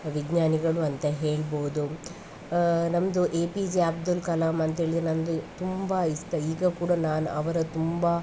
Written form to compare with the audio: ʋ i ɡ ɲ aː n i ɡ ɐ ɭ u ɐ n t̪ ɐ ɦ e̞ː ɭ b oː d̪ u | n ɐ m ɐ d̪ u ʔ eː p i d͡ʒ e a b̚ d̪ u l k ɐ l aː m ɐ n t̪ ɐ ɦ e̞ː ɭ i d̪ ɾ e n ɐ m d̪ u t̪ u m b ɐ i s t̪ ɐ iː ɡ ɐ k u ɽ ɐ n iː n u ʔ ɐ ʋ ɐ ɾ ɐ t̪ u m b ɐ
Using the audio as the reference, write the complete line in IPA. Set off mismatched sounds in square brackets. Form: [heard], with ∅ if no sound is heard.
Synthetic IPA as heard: ʋ i ɡ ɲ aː n i ɡ ɐ ɭ u ɐ n t̪ ɐ ɦ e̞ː ɭ b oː d̪ u | n ɐ m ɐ d̪ u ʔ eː p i d͡ʒ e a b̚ d̪ u l k ɐ l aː m ɐ n t̪ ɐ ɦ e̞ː ɭ i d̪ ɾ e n ɐ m d̪ u t̪ u m b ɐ i s t̪ ɐ iː ɡ ɐ k [uː] ɽ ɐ n [aː] n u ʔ ɐ ʋ ɐ ɾ ɐ t̪ u m b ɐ